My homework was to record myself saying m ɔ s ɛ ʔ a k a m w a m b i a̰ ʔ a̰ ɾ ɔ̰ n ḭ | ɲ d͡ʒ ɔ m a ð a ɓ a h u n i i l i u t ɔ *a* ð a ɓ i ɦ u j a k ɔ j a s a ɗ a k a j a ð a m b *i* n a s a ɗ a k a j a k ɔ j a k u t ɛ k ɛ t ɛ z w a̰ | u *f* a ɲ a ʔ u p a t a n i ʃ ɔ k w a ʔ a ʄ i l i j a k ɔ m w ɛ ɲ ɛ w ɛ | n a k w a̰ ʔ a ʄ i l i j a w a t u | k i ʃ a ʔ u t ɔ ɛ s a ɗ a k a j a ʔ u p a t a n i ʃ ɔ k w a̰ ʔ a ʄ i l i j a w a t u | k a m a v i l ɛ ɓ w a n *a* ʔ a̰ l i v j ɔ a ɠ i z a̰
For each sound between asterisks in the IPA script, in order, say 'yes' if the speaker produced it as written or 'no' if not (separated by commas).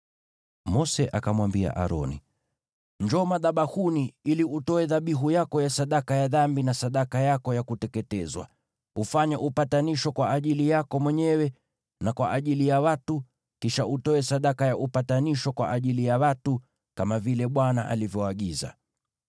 no, yes, yes, yes